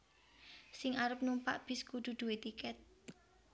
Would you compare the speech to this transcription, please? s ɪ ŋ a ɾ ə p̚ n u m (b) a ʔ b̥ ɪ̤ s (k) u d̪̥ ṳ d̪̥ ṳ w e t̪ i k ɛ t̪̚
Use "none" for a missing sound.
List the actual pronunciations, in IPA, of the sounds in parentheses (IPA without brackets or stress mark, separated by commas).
p, k